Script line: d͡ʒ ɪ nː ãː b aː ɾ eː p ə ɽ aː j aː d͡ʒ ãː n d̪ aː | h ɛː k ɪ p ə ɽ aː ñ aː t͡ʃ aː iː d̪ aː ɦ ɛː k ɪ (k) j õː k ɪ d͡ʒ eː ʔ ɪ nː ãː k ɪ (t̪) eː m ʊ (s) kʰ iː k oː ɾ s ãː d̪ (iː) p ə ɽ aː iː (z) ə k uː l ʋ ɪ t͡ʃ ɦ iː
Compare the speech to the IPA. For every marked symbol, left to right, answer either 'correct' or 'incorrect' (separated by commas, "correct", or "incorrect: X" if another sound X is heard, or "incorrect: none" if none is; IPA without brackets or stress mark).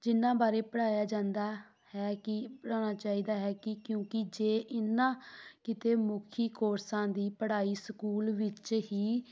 correct, correct, incorrect: none, correct, incorrect: s